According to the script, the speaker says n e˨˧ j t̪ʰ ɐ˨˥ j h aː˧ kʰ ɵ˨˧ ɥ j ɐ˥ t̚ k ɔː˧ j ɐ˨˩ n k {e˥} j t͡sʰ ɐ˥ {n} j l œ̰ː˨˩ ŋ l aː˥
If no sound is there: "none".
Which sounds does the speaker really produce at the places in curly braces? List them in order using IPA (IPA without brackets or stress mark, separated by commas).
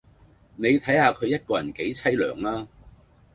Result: e˨˥, none